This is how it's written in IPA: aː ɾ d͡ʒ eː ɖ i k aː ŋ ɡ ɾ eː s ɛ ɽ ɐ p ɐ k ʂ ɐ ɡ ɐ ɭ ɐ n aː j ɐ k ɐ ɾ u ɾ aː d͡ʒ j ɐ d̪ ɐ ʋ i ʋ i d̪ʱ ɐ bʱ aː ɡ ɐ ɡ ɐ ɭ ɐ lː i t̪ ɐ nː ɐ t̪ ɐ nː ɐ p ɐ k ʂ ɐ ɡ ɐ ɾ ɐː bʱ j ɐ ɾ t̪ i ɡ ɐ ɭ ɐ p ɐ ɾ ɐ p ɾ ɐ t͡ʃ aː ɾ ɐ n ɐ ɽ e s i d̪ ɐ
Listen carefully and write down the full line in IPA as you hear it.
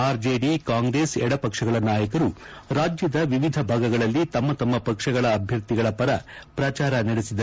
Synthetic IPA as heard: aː ɾ d͡ʒ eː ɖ i k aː ŋ ɡ ɾ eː s ɛ ɽ ɐ p ɐ k ʂ ɐ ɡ ɐ ɭ ɐ n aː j ɐ k ɐ ɾ u ɾ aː d͡ʒ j ɐ d̪ ɐ ʋ i ʋ i d̪ʱ ɐ bʱ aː ɡ ɐ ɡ ɐ ɭ ɐ lː i t̪ ɐ mː ɐ t̪ ɐ mː ɐ p ɐ k ʂ ɐ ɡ ɐ ɭ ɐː bʱ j ɐ ɾ t̪ i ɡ ɐ ɭ ɐ p ɐ ɾ ɐ p ɾ ɐ t͡ʃ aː ɾ ɐ n ɐ ɽ e s i d̪ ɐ